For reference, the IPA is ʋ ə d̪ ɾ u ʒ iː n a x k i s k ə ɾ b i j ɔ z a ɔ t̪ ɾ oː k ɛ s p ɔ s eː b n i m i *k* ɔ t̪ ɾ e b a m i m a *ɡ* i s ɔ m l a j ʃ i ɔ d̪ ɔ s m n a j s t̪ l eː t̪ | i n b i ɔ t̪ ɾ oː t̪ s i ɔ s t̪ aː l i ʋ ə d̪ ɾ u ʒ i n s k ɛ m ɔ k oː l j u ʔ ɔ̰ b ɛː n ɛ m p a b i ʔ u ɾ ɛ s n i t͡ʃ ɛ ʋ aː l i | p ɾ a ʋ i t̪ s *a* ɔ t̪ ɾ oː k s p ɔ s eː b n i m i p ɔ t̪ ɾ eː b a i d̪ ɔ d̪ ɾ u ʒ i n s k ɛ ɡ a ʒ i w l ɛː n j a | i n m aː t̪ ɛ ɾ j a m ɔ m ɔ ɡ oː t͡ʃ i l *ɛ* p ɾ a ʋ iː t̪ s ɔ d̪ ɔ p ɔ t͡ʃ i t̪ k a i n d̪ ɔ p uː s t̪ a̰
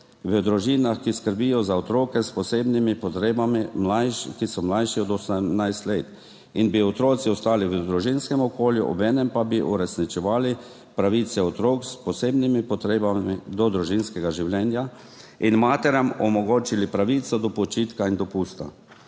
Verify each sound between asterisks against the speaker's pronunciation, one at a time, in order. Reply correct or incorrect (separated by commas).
incorrect, incorrect, incorrect, incorrect